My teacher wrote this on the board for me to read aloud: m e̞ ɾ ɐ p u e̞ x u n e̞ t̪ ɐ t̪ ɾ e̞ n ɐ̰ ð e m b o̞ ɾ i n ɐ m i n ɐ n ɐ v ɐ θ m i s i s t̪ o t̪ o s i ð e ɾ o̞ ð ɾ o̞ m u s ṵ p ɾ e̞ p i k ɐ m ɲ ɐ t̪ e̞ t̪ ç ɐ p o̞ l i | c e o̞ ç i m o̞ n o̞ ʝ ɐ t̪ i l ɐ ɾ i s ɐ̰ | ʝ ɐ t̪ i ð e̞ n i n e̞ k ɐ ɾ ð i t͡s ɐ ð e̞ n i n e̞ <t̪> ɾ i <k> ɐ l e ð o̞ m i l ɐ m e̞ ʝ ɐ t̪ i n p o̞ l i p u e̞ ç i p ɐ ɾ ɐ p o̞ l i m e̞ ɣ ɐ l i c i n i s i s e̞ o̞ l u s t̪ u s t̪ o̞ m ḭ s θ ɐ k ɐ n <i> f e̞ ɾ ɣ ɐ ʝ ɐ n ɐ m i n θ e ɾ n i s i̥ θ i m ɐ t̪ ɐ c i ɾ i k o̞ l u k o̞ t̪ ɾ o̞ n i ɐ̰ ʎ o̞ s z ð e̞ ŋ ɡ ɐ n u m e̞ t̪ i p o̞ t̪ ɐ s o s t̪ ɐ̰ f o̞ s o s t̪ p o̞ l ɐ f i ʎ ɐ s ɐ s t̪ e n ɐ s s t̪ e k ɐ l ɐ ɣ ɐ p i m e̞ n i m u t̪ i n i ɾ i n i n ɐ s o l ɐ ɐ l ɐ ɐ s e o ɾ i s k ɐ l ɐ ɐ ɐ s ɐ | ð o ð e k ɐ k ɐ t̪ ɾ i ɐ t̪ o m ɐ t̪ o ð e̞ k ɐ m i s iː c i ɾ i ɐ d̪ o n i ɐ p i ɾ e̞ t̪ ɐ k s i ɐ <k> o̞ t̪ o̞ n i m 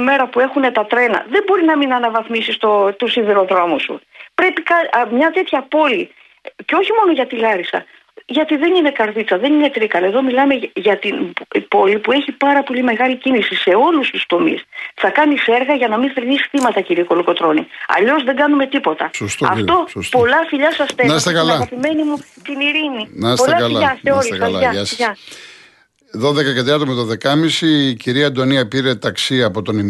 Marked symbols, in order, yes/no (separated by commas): yes, yes, yes, no